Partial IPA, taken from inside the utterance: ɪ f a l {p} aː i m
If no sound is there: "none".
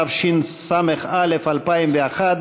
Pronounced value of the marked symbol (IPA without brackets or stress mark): p